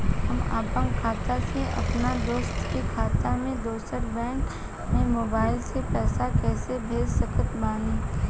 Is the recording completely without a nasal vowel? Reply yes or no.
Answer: no